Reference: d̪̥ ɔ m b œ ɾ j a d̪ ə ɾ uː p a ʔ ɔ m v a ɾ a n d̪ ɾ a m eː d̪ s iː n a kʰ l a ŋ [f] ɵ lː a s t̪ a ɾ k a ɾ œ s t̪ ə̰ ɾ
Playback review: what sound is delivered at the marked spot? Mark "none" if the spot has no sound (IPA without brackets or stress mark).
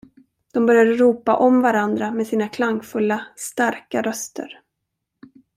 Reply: f